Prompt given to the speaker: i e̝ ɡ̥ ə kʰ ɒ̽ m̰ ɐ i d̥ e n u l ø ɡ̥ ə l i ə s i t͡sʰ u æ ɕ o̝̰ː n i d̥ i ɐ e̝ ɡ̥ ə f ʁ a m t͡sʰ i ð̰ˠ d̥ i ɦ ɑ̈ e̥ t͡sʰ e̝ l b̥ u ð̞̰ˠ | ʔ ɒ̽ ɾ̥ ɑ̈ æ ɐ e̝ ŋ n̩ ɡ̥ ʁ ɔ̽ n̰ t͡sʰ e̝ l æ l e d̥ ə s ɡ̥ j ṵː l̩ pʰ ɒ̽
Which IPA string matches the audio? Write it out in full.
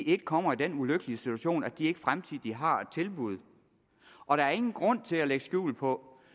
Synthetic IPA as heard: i e̝ ɡ̥ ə kʰ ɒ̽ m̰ ɐ i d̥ e n u l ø ɡ̥ ə l i ə s i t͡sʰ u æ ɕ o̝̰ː n æ d̥ i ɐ e̝ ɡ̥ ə f ʁ a m t͡sʰ i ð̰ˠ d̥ i ɦ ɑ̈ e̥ t͡sʰ e̝ l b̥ u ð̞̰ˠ | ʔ ɒ̽ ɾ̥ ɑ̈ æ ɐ e̝ ŋ n̩ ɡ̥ ʁ ɔ̽ n̰ t͡sʰ e̝ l æ l e ɡ̥ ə s ɡ̥ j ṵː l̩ pʰ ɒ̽